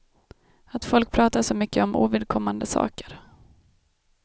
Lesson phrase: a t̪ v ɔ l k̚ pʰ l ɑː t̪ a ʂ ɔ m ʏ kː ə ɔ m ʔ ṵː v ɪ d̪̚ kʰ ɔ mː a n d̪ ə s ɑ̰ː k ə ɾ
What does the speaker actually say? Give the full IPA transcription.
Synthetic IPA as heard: a t̪ f ɔ l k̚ pʰ ɾ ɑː t̪ a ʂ ɔ m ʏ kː ə ɔ m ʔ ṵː v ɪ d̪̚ kʰ ɔ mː a n d̪ ə s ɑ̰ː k ə ɾ